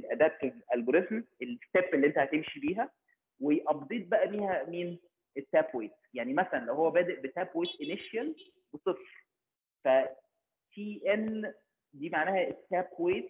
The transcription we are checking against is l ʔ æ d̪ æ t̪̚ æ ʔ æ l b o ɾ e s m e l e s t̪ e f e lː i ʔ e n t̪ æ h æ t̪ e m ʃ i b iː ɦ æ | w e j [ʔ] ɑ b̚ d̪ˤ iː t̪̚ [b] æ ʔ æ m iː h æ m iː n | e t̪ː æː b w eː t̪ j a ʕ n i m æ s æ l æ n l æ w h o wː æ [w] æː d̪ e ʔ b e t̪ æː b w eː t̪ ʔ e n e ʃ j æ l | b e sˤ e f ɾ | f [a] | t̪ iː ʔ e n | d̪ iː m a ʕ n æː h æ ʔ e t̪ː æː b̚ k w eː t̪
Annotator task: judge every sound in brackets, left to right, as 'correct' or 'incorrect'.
correct, correct, incorrect: b, incorrect: æ

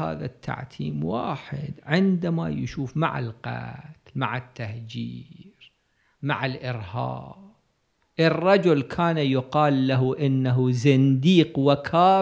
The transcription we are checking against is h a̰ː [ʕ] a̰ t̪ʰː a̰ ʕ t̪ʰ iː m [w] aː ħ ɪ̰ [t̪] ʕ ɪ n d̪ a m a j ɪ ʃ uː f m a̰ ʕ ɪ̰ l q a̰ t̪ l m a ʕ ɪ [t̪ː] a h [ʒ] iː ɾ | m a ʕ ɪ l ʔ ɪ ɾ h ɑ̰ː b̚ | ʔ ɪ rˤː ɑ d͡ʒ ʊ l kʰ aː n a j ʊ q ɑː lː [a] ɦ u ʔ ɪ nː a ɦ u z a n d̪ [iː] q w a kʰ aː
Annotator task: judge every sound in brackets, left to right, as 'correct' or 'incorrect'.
incorrect: ð, correct, incorrect: d̪, correct, incorrect: d͡ʒ, correct, correct

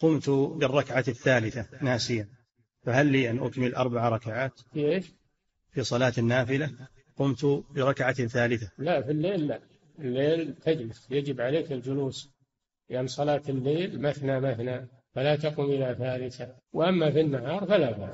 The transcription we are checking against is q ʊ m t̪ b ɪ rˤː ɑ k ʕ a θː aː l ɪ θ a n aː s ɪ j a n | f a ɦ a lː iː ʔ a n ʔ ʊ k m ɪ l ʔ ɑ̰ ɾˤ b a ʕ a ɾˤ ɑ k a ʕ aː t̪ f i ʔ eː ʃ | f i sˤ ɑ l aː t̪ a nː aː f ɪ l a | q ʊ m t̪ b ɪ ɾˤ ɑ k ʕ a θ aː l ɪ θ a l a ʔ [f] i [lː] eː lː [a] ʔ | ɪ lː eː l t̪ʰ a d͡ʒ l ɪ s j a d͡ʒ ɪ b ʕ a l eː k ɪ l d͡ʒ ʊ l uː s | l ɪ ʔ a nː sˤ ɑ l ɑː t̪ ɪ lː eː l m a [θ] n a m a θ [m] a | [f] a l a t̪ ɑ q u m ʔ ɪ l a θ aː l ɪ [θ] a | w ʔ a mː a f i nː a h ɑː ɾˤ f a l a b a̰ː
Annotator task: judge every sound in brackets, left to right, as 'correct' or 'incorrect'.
correct, correct, correct, correct, incorrect: n, correct, correct

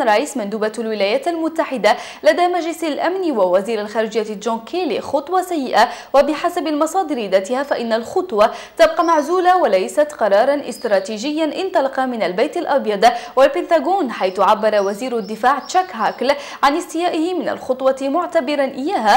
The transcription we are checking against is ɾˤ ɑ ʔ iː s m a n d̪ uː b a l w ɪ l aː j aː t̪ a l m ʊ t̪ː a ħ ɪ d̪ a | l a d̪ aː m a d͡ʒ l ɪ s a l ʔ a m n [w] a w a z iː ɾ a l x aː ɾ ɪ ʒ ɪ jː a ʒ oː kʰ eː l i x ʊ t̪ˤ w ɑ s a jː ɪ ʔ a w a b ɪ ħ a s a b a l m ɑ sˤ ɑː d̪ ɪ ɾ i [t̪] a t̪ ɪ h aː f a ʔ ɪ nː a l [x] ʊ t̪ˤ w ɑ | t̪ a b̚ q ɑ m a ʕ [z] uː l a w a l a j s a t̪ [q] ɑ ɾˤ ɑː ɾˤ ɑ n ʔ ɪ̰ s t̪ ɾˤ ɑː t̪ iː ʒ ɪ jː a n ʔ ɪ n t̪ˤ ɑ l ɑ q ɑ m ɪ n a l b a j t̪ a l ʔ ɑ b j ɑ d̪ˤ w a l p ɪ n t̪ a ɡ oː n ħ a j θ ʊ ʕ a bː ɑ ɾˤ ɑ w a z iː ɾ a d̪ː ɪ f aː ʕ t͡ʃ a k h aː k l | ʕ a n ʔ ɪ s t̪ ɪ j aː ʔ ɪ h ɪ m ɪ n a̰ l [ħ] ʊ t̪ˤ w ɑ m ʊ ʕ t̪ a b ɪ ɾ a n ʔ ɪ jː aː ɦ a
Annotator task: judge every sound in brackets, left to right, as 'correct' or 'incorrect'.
correct, incorrect: d̪, correct, correct, correct, incorrect: x

